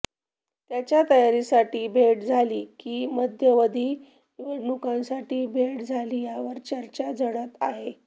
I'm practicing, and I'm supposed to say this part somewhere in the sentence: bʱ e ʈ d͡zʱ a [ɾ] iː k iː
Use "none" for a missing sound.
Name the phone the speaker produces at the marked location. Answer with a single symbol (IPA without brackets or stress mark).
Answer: l